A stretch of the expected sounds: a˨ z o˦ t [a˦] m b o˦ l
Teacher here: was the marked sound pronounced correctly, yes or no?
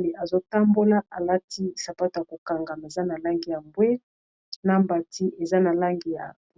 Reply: yes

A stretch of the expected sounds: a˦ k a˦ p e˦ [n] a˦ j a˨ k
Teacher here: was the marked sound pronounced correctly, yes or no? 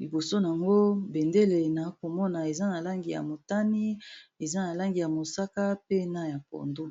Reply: yes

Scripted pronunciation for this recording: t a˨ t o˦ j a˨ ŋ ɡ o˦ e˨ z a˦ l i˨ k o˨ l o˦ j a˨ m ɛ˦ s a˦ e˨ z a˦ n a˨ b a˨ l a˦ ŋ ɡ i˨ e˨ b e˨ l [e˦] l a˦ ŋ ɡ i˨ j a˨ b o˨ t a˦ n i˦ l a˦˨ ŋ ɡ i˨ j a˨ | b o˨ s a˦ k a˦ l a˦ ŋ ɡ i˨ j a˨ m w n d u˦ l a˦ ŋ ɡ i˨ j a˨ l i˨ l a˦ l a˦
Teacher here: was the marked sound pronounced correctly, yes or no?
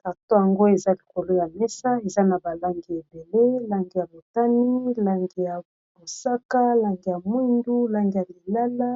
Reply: yes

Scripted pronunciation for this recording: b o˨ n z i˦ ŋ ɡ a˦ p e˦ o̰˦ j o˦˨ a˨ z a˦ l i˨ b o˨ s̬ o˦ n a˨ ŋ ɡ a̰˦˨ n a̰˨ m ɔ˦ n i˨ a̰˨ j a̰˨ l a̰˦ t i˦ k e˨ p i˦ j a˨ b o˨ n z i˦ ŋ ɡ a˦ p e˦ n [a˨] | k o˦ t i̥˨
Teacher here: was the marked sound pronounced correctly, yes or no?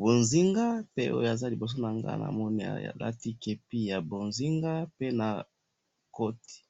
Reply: yes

